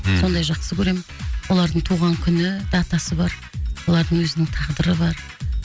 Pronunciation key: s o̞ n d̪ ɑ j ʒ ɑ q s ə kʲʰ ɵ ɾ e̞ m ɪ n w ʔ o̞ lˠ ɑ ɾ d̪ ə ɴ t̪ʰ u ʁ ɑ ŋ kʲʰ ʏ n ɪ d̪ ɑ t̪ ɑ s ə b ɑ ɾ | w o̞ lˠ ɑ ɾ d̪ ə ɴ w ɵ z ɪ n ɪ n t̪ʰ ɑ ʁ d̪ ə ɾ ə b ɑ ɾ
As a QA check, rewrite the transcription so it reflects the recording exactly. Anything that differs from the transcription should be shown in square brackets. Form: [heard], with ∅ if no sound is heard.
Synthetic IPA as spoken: s o̞ n d̪ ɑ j ʒ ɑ q s ə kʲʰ ɵ ɾ e̞ m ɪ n w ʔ o̞ lˠ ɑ ɾ d̪ ə ɴ t̪ʰ u ʁ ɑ ŋ kʲʰ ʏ n ɪ d̪ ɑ t̪ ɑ s ə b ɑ ɾ | w o̞ lˠ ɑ ɾ d̪ ə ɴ w ɵ z ɪ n ɪ [ŋ] t̪ʰ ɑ ʁ d̪ ə ɾ ə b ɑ ɾ